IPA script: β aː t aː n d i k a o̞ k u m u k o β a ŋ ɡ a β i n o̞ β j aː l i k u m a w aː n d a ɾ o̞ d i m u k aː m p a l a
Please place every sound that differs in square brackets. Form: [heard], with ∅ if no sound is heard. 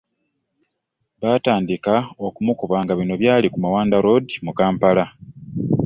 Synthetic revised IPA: β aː t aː n d i k a o̞ k u m u k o β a ŋ ɡ a β i n o̞ β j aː l i k u m a w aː n d a ɾ o̞ d i m u k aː m p a l a